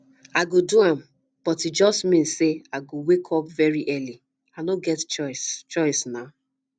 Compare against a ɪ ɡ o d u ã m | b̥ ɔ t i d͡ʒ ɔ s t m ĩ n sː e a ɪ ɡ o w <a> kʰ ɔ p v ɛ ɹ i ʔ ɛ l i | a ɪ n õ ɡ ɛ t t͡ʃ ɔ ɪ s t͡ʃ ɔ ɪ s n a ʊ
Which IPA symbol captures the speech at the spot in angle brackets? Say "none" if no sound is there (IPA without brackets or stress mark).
e